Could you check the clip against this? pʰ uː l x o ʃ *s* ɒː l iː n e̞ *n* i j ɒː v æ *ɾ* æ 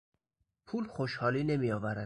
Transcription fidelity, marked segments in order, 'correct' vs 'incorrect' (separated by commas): incorrect, incorrect, correct